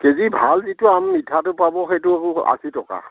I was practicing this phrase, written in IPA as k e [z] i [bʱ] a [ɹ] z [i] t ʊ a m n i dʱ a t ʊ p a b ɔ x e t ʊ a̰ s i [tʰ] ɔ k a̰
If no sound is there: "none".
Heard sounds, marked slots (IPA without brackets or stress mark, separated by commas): z, bʱ, l, i, t